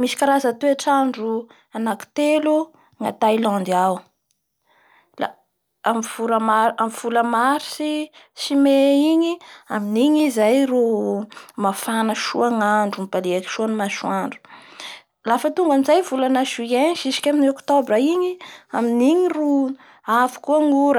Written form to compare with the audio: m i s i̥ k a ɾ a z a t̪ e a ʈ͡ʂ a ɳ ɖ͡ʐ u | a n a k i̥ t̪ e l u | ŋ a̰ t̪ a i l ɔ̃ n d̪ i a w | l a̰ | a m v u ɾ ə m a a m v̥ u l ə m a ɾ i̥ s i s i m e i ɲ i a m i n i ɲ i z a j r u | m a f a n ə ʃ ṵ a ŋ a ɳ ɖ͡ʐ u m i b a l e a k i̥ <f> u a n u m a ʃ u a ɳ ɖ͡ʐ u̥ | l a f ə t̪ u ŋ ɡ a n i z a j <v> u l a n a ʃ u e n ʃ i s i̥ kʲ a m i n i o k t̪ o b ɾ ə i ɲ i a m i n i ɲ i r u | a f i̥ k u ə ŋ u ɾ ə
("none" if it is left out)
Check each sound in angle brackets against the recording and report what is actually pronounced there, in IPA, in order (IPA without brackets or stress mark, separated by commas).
ʃ, v